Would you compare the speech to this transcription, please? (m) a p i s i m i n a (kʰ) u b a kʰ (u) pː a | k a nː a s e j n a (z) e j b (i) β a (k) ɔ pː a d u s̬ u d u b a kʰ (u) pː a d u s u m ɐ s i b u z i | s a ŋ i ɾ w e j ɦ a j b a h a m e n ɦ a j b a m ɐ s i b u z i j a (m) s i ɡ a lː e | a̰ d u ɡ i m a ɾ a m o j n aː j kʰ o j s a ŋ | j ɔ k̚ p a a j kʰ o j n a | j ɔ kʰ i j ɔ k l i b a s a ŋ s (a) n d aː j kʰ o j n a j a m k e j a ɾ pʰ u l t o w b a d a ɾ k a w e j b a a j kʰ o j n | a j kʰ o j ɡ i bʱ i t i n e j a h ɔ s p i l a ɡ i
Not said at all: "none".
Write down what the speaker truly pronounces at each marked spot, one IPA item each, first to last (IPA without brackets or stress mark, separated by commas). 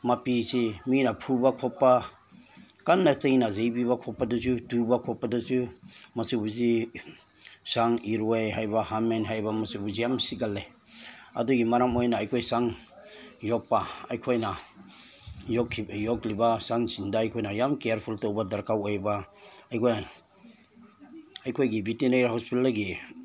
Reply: m, pʰ, ɔ, z, i, kʰ, ɔ, m, i